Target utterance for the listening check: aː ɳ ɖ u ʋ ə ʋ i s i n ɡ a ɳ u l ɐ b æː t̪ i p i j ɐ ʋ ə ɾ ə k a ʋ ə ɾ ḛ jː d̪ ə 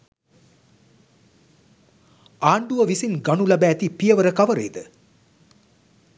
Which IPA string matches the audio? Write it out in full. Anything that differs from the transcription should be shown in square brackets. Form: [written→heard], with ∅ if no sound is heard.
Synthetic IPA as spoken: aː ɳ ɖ u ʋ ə ʋ i s i n ɡ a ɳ u l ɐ b æː t̪ i p i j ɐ ʋ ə ɾ ə k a ʋ ə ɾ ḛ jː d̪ ə

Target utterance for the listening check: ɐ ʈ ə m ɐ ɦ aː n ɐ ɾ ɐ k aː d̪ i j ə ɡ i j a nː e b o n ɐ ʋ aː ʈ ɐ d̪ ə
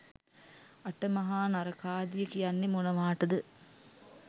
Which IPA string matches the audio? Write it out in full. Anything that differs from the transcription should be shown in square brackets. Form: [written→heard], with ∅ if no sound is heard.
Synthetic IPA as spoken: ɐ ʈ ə m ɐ ɦ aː n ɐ ɾ ɐ k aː d̪ i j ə [ɡ→k] i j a nː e [b→m] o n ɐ ʋ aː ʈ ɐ d̪ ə

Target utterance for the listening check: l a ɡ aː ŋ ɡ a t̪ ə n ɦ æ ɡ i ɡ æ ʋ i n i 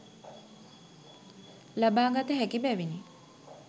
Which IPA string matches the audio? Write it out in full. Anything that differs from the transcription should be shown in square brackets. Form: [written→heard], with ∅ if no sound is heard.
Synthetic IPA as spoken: l a [ɡ→b] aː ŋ ɡ a t̪ ə [n→∅] ɦ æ [ɡ→k] i [ɡ→b] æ ʋ i n i

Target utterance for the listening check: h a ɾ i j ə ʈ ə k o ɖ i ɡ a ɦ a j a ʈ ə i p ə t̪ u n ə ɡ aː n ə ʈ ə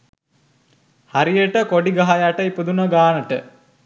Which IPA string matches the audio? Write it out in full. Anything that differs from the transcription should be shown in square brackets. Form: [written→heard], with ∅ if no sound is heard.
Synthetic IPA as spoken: h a ɾ i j ə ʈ ə k o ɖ i ɡ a ɦ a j a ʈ ə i p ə [t̪→d̪] u n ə ɡ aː n ə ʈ ə

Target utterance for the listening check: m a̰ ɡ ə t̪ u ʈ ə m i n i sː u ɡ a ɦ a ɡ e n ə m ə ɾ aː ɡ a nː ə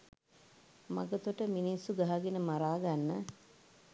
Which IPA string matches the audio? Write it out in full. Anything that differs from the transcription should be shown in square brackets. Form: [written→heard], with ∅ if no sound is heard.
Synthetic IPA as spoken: m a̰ ɡ ə t̪ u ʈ ə m i n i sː u ɡ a ɦ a ɡ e n ə m [ə→a] ɾ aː ɡ a nː ə

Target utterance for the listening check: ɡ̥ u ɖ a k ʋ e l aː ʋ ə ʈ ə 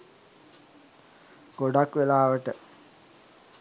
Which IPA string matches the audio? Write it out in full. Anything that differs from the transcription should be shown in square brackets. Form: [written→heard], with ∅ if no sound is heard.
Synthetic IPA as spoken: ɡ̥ [u→o] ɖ a k ʋ e l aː ʋ ə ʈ ə

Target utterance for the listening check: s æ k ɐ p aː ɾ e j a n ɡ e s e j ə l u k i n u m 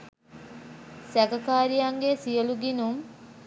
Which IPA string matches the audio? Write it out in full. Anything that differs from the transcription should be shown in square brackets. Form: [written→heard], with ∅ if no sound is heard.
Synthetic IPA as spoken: s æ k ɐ [p→k] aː ɾ [e→i] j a [n→ŋ] ɡ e s [e→i] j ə l u [k→ɡ] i n u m

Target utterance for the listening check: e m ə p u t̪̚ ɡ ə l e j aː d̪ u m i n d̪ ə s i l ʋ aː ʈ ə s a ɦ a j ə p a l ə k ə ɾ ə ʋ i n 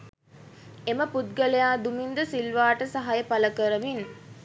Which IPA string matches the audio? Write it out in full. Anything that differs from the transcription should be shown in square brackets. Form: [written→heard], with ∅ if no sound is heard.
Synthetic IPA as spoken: e m ə p u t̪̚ ɡ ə l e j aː d̪ u m i n d̪ ə s i l ʋ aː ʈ ə s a ɦ a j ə p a l ə k ə ɾ ə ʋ i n

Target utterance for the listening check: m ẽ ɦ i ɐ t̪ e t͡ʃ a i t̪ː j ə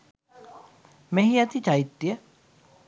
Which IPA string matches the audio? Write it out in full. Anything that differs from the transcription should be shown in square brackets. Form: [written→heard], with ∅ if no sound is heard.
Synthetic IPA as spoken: m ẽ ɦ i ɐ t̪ [e→i] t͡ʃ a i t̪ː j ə

